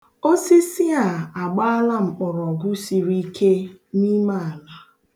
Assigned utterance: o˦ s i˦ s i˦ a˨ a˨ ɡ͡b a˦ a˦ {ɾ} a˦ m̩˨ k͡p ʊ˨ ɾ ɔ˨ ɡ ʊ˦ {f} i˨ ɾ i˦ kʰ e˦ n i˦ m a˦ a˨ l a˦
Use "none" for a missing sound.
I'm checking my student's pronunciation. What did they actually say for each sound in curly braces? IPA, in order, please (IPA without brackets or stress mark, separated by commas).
l, s